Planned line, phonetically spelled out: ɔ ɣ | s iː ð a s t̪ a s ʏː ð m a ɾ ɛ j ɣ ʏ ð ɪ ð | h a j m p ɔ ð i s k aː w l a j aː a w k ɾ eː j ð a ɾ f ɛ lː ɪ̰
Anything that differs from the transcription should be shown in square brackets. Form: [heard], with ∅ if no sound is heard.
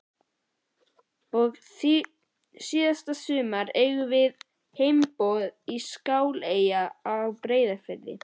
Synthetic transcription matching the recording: ɔ ɣ | s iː ð a s t̪ a s ʏː [∅] m a ɾ [e] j ɣ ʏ [v] ɪ ð | h [e] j m p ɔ ð i s k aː w l [e] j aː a w [p] ɾ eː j ð a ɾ f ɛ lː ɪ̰